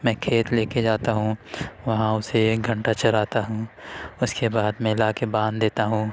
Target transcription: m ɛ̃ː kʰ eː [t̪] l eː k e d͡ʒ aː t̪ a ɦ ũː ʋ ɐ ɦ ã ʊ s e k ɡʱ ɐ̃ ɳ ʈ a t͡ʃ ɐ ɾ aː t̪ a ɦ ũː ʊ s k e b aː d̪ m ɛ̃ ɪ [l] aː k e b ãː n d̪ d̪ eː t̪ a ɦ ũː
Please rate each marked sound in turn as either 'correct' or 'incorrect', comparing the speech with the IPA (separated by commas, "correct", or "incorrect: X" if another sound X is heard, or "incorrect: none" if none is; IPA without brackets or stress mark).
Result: correct, correct